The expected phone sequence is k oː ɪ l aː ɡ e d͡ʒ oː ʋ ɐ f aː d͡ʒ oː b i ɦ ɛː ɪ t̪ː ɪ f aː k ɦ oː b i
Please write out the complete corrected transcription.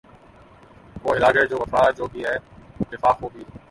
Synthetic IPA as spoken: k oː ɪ l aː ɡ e d͡ʒ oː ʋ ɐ f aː d͡ʒ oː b i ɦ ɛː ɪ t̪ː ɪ f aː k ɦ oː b i